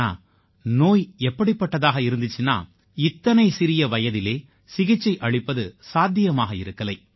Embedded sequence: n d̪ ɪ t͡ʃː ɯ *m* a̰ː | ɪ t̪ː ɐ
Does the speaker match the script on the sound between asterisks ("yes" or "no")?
no